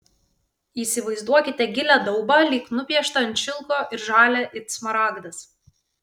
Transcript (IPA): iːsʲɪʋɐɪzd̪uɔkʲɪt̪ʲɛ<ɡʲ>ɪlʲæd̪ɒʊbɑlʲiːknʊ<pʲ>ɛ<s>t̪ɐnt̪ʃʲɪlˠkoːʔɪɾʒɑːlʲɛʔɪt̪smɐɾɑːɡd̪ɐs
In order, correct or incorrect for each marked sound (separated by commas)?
correct, correct, incorrect